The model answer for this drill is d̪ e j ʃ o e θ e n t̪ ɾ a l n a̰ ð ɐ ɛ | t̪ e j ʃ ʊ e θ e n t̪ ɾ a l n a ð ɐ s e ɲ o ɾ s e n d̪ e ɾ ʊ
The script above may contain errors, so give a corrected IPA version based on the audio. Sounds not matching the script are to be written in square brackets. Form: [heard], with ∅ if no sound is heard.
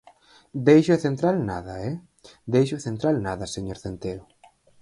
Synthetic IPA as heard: d̪ e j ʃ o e θ e n t̪ ɾ a l n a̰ ð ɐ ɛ | [d̪] e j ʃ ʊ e θ e n t̪ ɾ a l n a ð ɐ s e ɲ o ɾ [θ] e n [t̪] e ɾ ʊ